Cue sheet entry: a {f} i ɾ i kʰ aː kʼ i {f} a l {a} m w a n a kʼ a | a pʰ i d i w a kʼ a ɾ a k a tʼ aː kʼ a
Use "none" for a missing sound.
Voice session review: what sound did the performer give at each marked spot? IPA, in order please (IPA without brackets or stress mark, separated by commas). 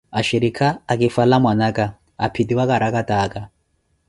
ʃ, f, a